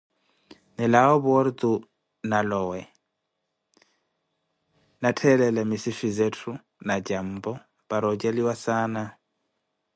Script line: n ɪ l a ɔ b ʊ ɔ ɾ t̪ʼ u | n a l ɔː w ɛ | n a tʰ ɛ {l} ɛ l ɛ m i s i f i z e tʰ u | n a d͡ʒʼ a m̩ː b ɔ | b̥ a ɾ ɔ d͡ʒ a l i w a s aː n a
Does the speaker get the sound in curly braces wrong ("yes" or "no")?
no